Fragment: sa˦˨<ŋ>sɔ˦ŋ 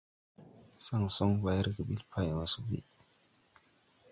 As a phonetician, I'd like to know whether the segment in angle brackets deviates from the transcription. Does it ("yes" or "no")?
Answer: no